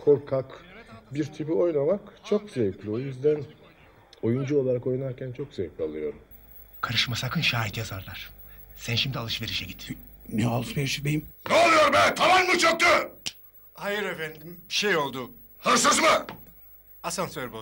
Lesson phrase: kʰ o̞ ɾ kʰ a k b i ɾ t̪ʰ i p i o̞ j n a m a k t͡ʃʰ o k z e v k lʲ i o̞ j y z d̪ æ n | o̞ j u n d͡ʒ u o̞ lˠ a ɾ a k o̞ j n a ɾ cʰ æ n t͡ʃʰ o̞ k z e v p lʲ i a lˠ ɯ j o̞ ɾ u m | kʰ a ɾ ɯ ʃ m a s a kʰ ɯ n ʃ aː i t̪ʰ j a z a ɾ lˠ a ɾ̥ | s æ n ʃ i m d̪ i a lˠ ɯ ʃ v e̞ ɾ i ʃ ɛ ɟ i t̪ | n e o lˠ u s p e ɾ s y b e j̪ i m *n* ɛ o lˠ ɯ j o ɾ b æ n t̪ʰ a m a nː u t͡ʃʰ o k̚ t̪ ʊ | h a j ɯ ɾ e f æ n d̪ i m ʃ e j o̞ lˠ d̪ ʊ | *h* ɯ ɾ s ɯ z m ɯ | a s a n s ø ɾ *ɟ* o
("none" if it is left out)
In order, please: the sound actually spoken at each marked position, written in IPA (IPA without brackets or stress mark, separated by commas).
n, h, b